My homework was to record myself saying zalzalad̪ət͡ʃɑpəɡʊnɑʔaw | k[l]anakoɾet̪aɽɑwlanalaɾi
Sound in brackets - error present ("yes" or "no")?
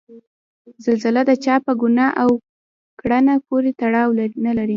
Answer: yes